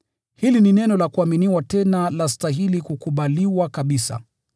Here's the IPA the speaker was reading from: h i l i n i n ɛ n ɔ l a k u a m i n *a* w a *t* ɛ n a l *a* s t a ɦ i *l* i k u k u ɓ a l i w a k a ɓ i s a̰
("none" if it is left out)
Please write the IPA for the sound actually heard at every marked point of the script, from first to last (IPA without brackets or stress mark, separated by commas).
i, t, a, l